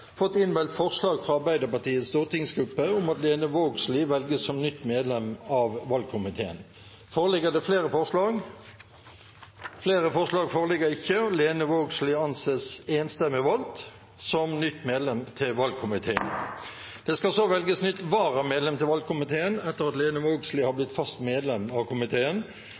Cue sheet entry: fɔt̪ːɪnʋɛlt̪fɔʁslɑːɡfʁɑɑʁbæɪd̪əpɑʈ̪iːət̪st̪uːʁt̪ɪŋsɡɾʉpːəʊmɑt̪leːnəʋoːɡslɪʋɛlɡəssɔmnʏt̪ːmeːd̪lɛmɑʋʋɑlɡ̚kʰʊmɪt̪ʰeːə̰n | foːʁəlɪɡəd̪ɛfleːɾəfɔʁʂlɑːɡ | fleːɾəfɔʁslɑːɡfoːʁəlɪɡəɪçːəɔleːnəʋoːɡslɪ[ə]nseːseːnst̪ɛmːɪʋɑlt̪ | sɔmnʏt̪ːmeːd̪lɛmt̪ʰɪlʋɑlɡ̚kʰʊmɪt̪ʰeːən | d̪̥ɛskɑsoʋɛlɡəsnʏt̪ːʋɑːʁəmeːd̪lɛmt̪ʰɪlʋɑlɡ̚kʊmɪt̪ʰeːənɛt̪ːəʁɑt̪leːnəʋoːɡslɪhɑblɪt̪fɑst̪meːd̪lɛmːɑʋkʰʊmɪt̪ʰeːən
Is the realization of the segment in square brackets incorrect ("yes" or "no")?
yes